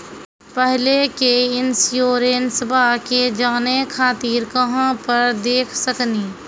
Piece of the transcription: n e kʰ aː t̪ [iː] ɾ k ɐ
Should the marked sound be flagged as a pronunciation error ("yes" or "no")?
no